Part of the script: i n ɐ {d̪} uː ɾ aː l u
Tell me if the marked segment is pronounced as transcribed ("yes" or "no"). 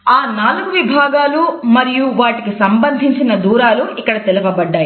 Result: yes